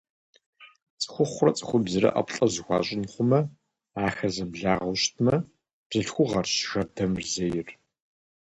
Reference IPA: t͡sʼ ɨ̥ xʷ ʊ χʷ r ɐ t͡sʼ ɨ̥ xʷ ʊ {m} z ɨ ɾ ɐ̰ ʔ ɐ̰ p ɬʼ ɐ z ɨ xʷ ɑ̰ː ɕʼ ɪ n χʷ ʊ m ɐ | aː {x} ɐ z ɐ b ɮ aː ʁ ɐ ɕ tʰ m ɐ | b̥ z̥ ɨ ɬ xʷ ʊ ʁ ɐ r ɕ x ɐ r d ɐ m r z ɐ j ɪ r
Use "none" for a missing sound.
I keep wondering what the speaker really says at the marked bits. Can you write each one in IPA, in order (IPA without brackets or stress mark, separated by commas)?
b, x